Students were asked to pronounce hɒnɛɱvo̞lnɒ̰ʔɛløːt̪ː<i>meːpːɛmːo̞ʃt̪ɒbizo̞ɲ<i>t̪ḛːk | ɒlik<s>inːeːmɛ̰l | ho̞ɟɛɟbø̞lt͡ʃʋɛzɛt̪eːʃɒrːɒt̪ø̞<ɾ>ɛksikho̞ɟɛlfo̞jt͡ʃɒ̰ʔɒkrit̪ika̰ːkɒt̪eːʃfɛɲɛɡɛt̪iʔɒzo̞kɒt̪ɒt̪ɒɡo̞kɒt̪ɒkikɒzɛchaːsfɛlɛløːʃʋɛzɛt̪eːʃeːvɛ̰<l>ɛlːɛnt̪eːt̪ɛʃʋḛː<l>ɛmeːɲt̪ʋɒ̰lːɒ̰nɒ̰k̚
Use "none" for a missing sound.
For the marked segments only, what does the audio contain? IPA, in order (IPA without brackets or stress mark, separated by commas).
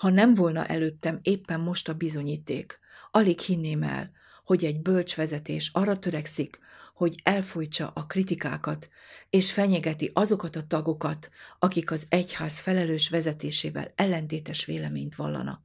ɛ, iː, h, ɾ, l, l